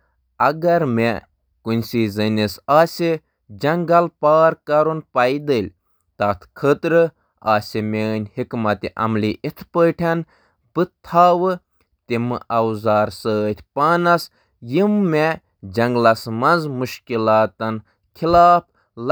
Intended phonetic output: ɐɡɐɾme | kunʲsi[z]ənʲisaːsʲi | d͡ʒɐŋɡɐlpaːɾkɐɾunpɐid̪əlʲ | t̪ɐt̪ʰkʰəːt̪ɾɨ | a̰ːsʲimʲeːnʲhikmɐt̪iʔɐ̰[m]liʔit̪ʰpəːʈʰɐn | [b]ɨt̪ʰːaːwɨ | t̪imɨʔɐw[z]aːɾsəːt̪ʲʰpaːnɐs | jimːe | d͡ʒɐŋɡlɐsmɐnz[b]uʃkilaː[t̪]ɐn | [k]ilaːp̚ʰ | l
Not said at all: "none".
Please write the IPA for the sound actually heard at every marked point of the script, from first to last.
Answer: z, m, b, z, m, t̪, kʰ

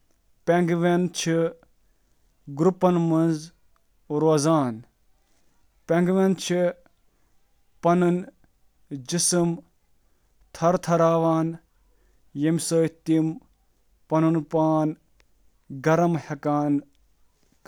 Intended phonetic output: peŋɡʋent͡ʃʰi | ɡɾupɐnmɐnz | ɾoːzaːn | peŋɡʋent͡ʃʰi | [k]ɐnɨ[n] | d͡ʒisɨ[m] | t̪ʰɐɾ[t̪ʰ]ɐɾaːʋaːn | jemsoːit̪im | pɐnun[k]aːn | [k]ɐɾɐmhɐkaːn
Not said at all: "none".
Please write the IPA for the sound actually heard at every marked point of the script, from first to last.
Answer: p, n, m, t̪ʰ, p, ɡ

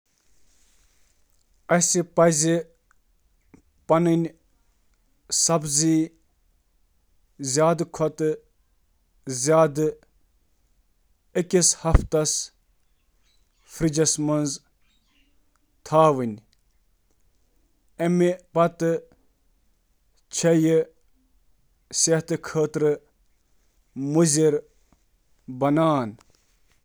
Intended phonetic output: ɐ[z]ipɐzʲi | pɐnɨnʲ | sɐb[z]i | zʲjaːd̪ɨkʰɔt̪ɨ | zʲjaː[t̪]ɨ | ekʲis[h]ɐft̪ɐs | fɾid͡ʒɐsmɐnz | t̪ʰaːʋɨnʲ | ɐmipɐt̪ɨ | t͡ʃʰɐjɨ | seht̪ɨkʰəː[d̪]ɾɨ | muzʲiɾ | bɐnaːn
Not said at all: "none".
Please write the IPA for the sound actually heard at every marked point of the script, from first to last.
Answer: s, z, d̪, h, t̪

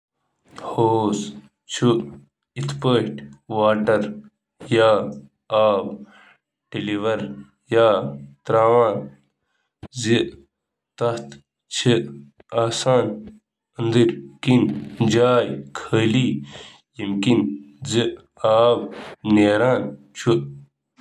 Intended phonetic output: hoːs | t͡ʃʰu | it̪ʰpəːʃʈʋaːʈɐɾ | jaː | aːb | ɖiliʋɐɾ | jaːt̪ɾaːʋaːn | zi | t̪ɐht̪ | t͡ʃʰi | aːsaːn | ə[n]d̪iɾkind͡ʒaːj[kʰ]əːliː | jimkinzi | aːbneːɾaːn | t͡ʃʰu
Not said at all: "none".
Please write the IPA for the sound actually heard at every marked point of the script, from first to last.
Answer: n, kʰ

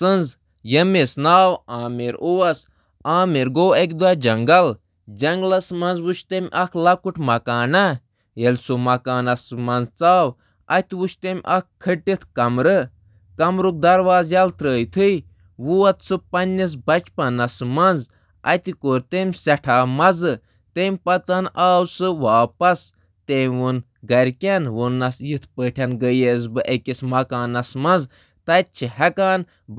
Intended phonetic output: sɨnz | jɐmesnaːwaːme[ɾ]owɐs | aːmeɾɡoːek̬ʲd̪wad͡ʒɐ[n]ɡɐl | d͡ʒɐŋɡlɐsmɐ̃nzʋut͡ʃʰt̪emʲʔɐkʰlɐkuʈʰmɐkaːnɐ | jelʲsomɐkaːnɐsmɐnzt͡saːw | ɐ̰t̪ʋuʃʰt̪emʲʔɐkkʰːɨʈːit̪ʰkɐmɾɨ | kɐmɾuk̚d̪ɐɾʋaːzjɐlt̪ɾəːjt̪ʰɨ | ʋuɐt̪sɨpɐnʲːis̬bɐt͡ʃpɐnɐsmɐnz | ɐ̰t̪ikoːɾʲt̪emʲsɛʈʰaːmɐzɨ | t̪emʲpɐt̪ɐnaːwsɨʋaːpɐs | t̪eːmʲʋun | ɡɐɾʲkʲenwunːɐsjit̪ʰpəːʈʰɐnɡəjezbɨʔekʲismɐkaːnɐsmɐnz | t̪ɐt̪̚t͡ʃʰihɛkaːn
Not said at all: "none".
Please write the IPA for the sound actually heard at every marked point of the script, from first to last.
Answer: ɾ, ŋ

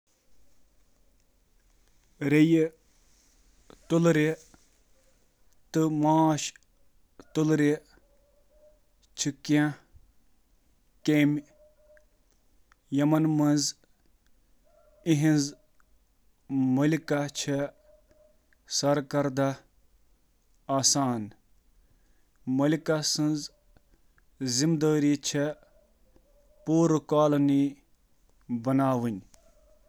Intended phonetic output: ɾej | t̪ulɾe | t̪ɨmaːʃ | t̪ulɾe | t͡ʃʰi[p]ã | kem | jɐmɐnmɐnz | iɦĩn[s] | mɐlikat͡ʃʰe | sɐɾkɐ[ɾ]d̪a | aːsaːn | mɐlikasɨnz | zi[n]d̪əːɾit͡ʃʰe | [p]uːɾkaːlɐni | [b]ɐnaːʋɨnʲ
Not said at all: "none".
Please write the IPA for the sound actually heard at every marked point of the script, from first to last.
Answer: k, z, ɾ, m, p, b

